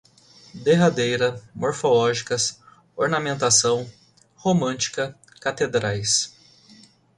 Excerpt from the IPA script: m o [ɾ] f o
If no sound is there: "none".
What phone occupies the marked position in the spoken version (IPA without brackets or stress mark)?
ɾ